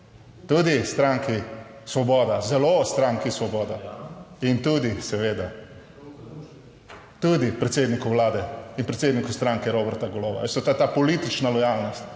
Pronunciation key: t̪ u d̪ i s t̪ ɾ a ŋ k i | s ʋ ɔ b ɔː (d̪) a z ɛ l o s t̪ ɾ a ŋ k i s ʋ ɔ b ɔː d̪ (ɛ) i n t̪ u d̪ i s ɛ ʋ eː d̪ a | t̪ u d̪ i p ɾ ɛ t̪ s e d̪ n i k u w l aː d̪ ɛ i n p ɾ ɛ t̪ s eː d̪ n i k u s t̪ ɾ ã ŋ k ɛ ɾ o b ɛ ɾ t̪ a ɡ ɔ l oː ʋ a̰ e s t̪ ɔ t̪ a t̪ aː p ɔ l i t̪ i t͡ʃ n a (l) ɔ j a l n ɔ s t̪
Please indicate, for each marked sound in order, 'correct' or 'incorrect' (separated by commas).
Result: correct, incorrect, correct